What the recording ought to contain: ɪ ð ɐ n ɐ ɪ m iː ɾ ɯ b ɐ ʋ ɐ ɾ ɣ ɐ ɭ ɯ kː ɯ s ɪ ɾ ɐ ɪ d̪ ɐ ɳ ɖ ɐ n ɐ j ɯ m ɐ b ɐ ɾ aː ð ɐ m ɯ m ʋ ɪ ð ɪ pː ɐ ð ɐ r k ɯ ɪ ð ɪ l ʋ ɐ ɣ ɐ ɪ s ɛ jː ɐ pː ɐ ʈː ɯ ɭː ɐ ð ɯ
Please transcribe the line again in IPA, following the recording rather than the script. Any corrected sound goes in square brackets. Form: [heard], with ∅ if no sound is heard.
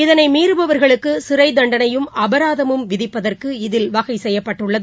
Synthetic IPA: ɪ ð ɐ n ɐ ɪ m iː ɾ ɯ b ɐ ʋ ɐ ɾ ɣ ɐ ɭ ɯ kː ɯ s ɪ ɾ ɐ ɪ d̪ ɐ ɳ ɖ ɐ n ɐ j ɯ m ɐ b ɐ ɾ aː ð ɐ m ɯ m ʋ ɪ ð ɪ pː ɐ ð ɐ r k ɯ ɪ ð ɪ l ʋ ɐ ɣ ɐ ɪ s ɛ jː ɐ pː ɐ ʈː ɯ ɭː ɐ ð ɯ

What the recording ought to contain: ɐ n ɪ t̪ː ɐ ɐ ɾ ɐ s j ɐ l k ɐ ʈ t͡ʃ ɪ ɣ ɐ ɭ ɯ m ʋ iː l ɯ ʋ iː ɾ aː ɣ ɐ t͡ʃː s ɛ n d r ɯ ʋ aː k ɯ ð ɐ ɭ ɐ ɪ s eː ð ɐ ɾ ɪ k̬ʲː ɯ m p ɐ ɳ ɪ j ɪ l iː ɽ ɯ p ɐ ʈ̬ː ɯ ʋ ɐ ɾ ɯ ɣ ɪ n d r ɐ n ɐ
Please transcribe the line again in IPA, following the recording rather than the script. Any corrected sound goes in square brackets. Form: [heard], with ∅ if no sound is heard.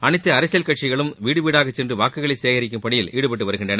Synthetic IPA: ɐ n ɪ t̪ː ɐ ɐ ɾ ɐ s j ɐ l k ɐ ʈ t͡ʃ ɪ ɣ ɐ ɭ ɯ m ʋ iː [ɽ] ɯ ʋ iː [ɽ] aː ɣ ɐ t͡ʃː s ɛ n d r ɯ ʋ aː k ɯ [ɣ] ɐ ɭ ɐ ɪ s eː [ɣ] ɐ ɾ ɪ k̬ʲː ɯ m p ɐ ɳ ɪ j ɪ l iː ɽ ɯ p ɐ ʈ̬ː ɯ ʋ ɐ ɾ ɯ ɣ ɪ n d r ɐ n ɐ

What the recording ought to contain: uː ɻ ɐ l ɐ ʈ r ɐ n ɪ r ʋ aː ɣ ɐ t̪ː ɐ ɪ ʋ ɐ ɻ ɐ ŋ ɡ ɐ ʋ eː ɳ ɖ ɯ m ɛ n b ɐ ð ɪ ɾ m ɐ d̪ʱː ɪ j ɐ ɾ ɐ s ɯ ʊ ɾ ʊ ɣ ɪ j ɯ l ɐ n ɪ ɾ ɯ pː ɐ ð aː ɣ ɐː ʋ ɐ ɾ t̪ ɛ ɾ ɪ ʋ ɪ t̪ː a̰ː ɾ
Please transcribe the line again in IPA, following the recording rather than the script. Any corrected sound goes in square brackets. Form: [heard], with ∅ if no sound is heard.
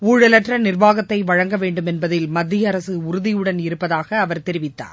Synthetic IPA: uː ɻ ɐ l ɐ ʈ r ɐ n ɪ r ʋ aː ɣ ɐ t̪ː ɐ ɪ ʋ ɐ ɻ ɐ ŋ ɡ ɐ ʋ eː ɳ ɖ ɯ m ɛ n b ɐ ð ɪ [l] m ɐ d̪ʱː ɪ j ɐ ɾ ɐ s ɯ ʊ ɾ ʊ [ð] ɪ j ɯ [ɽ] ɐ n ɪ ɾ ɯ pː ɐ ð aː ɣ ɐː ʋ ɐ ɾ t̪ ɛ ɾ ɪ ʋ ɪ t̪ː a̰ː ɾ

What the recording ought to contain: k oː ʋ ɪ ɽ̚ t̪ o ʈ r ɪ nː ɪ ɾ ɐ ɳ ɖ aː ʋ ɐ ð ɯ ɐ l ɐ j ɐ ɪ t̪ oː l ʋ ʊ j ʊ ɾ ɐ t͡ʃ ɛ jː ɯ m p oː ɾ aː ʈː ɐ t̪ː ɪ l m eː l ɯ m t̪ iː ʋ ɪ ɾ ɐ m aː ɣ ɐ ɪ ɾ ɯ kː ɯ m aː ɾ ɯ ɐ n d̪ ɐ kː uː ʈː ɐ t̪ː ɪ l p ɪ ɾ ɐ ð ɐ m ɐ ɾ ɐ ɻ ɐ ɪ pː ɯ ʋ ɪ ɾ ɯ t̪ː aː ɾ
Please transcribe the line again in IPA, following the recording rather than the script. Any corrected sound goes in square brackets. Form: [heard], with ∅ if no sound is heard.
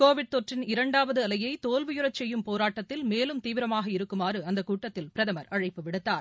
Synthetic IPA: k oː ʋ ɪ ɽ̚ t̪ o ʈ r ɪ [n] ɪ ɾ ɐ ɳ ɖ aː ʋ ɐ ð ɯ ɐ l ɐ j ɐ ɪ t̪ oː l ʋ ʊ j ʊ ɾ ɐ t͡ʃ ɛ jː ɯ m p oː ɾ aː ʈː ɐ t̪ː ɪ l m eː l ɯ m t̪ iː ʋ ɪ ɾ ɐ m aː ɣ ɐ ɪ ɾ ɯ kː ɯ m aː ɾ ɯ ɐ n d̪ ɐ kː uː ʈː ɐ t̪ː ɪ l p ɪ ɾ ɐ ð ɐ m ɐ ɾ ɐ ɻ ɐ ɪ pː ɯ ʋ ɪ [ɽ] ɯ t̪ː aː ɾ

